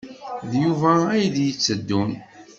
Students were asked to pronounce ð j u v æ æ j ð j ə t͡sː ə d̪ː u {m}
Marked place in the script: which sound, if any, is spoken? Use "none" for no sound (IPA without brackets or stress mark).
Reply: n